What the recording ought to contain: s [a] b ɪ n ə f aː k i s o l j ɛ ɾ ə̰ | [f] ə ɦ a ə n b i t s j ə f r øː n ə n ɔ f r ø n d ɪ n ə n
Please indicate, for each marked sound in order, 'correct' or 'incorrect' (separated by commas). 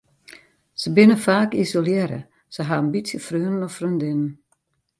incorrect, incorrect